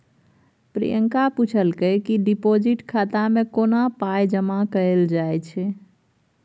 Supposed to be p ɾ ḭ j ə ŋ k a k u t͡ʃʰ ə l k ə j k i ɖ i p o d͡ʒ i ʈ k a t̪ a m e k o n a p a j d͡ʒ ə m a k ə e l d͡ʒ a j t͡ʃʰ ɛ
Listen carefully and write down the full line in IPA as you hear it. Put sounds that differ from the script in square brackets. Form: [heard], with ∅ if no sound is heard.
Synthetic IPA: p ɾ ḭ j ə ŋ k a [p] u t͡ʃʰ ə l k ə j k i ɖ i p o d͡ʒ i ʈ [kʰ] a t̪ a m e k o n a p a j d͡ʒ ə m a k ə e l d͡ʒ a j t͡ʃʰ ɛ